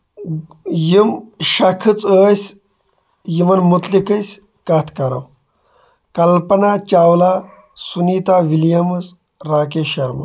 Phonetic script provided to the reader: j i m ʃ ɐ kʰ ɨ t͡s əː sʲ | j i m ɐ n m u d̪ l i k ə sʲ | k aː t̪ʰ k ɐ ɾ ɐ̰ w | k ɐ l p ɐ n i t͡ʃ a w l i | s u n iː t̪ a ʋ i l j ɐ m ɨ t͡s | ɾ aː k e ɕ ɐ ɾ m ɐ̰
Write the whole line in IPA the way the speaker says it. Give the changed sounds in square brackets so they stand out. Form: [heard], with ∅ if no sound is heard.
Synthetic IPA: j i m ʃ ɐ kʰ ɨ t͡s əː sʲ | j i m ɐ n m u [t̪] l i k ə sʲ | k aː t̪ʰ k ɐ ɾ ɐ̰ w | k ɐ l p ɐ n [a] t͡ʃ a w l [a] | s u n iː t̪ a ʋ i l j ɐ m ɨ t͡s | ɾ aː k e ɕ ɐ ɾ m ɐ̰